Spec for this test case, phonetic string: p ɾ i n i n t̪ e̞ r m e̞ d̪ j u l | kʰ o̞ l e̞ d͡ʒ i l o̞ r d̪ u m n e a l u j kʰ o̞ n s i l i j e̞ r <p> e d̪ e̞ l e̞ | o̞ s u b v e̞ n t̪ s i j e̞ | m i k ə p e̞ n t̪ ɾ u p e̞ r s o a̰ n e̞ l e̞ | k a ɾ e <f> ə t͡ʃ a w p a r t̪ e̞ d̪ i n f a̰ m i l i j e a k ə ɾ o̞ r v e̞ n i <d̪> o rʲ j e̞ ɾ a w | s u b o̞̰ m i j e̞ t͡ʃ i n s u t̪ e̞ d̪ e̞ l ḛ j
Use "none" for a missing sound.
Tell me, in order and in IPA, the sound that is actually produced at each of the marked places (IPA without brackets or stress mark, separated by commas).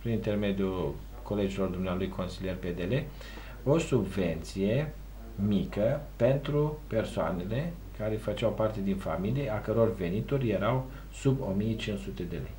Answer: p, f, t̪